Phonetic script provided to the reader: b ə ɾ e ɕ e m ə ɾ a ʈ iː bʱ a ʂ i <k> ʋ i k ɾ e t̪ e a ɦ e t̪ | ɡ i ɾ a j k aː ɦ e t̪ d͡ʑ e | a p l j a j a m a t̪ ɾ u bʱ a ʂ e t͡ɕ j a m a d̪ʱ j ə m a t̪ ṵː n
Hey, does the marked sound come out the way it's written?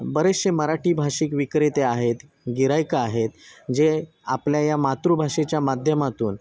yes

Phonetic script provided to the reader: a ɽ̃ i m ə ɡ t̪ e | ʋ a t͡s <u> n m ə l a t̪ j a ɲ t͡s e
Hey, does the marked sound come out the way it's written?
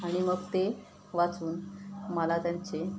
no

